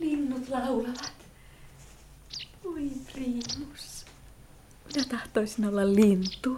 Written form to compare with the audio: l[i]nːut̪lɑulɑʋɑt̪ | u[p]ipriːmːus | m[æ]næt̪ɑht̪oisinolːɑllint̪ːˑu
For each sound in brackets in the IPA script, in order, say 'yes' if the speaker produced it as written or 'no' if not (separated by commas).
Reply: yes, no, no